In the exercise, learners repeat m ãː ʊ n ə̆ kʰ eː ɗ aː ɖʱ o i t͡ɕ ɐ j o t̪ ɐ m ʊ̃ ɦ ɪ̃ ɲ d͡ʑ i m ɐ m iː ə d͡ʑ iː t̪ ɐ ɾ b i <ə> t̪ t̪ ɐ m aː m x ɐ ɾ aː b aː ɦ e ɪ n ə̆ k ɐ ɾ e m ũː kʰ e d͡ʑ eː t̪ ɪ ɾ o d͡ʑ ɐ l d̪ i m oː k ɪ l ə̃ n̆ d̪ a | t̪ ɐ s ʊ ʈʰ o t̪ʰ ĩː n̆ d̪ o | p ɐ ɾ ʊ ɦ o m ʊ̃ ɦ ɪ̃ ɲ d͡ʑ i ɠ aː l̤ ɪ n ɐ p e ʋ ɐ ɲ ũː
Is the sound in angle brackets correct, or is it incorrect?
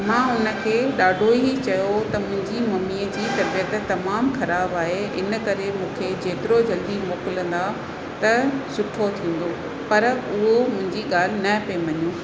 correct